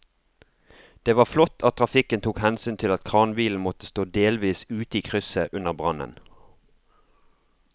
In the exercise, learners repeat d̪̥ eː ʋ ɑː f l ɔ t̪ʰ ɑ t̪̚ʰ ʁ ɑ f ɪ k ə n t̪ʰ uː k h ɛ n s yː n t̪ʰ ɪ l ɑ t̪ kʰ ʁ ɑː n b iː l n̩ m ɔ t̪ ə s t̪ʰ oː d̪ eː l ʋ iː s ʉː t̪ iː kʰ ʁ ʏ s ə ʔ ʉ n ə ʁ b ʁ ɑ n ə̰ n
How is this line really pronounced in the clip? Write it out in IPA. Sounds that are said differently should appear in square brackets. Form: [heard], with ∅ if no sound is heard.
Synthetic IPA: d̪̥ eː ʋ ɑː f l ɔ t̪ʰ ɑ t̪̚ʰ ʁ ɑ f ɪ k ə n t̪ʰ uː k h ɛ n s yː n t̪ʰ ɪ l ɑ t̪ kʰ ʁ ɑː n b iː l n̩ m ɔ t̪ ə s [t̪] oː d̪ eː l ʋ iː s ʉː t̪ iː kʰ ʁ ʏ s ə ʔ ʉ n ə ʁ b ʁ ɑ n ə̰ n